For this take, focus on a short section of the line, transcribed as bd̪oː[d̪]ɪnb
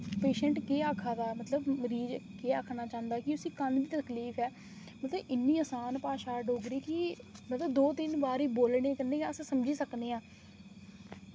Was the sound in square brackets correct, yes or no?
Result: no